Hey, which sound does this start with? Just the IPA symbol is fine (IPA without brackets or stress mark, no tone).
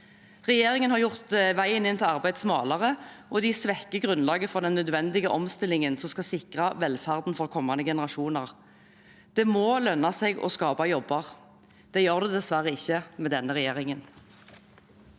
ʁ